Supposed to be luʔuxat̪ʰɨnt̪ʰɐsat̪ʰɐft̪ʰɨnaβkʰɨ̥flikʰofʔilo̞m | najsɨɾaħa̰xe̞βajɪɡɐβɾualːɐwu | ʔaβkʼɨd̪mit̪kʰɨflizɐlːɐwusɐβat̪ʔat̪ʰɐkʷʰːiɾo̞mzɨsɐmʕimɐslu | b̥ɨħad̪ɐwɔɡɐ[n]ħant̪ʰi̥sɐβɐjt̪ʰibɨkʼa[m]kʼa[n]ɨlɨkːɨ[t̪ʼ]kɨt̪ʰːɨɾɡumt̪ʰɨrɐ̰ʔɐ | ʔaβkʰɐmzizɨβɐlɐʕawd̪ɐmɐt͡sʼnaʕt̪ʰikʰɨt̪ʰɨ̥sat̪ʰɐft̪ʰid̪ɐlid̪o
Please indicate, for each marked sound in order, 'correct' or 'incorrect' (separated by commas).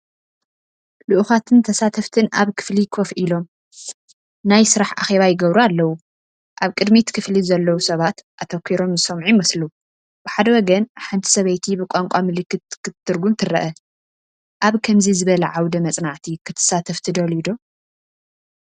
correct, incorrect, incorrect, incorrect